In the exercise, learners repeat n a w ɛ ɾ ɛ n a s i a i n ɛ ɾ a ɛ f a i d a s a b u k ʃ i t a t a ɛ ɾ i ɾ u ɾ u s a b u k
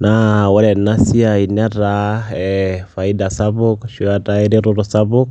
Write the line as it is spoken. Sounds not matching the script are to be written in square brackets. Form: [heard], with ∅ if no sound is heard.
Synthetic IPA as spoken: n a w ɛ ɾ ɛ n a s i a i n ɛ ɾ a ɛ f a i d a s a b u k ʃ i [∅] a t a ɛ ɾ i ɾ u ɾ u s a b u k

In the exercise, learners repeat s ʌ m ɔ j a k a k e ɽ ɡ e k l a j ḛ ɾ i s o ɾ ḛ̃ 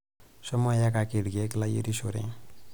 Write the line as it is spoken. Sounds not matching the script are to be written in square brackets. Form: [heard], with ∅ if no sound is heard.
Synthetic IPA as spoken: s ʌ m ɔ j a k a k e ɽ ɡ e k l a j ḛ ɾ i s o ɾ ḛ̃

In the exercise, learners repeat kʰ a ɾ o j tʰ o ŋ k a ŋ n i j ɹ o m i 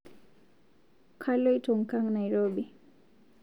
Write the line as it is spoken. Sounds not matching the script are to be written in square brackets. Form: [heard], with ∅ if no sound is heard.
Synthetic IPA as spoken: kʰ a [l] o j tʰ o ŋ k a ŋ n [a] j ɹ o [b] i

